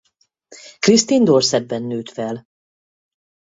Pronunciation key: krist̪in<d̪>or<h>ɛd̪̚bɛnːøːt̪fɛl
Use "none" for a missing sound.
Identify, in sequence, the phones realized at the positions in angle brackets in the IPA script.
d̪, s

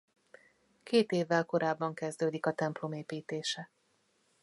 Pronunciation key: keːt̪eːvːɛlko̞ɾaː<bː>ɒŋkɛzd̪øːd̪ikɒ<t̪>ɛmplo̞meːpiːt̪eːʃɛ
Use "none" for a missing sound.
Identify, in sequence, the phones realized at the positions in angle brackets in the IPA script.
bː, t̪

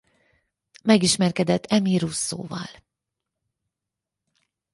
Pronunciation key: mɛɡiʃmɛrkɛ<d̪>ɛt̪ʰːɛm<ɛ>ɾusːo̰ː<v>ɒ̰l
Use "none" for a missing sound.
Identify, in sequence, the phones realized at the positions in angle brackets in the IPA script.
d̪, i, v

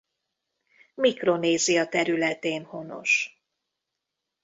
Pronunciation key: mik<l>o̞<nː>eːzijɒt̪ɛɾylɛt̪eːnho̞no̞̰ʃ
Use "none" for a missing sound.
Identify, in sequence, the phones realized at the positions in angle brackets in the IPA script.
r, n

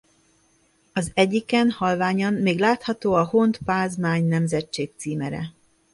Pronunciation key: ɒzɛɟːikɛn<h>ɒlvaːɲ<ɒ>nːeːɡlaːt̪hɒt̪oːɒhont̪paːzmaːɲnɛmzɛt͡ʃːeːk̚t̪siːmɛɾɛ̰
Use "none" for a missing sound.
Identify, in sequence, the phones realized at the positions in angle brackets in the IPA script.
h, ɒ

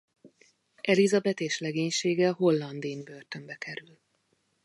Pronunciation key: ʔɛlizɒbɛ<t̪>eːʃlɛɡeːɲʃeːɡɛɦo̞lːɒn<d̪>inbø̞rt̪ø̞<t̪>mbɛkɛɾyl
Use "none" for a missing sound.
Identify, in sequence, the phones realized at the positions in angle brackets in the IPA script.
t̪, d̪, none

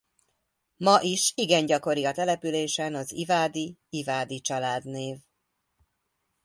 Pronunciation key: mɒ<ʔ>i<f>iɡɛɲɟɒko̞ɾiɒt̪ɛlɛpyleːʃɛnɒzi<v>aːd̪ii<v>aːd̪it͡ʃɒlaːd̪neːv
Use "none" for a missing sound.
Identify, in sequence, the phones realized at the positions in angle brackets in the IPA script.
ʔ, ʃ, v, v

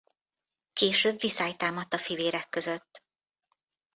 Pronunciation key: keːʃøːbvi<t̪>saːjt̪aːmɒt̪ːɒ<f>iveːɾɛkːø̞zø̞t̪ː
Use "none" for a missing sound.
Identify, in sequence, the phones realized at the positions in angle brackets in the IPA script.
none, f

